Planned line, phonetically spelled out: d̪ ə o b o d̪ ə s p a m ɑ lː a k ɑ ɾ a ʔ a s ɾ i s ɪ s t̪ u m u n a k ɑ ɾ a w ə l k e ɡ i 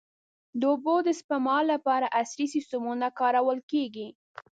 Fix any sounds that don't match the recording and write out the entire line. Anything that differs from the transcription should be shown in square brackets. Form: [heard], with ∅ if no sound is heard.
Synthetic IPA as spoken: d̪ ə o b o d̪ ə s p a m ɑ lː a [p] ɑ ɾ a ʔ a s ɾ i s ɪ s t̪ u m u n a k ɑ ɾ a w ə l k e ɡ i